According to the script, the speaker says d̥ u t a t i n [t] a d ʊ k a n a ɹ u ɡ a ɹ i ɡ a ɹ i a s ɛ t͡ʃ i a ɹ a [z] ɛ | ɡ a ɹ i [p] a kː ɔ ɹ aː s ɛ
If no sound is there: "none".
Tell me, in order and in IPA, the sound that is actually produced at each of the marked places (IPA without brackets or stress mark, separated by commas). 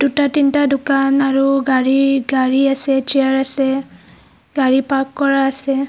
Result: t, s, p